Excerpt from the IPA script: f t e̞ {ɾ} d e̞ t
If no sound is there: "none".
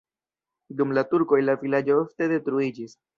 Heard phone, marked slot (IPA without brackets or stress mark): none